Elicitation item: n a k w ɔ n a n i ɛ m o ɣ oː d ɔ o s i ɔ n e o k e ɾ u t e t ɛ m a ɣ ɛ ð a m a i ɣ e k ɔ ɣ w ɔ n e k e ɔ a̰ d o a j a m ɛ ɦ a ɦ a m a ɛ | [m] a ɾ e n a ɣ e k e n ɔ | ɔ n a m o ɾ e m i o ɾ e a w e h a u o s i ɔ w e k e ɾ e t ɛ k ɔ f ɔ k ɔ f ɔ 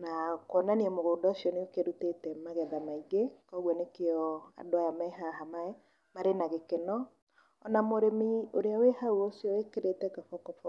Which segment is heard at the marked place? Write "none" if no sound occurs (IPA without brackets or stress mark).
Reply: m